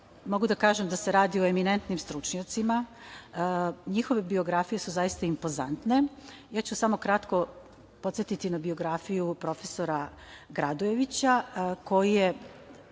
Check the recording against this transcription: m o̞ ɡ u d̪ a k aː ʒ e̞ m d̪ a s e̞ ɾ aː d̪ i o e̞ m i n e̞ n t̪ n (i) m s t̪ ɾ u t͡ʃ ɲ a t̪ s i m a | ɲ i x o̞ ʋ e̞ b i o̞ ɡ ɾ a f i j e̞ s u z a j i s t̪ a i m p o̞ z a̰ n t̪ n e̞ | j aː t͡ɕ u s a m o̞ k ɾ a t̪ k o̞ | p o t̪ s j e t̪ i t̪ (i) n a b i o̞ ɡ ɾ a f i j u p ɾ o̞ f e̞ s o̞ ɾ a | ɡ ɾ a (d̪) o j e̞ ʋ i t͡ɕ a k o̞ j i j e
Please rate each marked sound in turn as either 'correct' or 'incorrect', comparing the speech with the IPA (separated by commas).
correct, correct, correct